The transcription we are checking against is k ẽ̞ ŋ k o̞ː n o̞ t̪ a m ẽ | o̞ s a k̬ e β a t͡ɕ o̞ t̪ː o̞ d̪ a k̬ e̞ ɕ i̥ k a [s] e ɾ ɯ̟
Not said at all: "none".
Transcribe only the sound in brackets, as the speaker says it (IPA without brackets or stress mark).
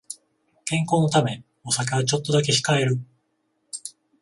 none